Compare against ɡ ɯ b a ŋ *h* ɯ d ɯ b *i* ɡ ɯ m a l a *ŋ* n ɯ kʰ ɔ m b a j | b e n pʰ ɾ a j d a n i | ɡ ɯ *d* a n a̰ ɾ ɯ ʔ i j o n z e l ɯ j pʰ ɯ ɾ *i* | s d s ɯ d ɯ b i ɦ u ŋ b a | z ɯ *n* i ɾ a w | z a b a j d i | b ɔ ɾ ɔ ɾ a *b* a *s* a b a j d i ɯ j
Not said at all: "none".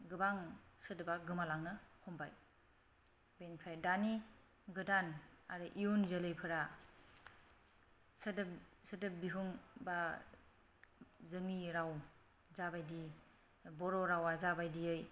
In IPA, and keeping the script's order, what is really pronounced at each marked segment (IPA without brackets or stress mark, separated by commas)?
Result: s, a, ŋ, d, a, ŋ, w, z